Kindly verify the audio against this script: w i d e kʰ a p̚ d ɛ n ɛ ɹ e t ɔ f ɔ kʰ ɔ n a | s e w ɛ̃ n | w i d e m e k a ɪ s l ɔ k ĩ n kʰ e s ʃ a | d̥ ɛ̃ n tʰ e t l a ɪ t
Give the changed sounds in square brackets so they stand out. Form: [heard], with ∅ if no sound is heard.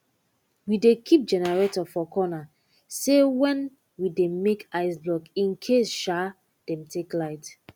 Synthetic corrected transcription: w i d e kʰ [i] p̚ [d͡ʒ] ɛ n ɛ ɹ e t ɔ f ɔ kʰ ɔ n a | s e w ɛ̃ n | w i d e m e k a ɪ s l ɔ k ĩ n kʰ e s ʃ a | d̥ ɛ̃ [m] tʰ e [k] l a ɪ t